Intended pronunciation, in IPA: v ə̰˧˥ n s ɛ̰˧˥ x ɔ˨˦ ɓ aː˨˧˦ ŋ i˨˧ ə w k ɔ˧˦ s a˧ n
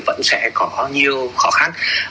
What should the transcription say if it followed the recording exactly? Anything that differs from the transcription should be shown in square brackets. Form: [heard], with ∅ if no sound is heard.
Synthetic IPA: v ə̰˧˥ n s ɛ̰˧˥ [k] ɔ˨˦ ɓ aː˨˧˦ [ɲ] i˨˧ ə w [x] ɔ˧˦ [x] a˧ n